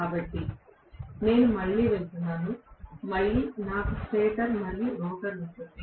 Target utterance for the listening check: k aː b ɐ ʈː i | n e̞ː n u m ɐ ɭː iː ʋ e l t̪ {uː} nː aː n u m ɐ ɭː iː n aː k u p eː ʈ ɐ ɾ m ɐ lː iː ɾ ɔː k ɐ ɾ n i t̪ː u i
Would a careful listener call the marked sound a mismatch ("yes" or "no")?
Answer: yes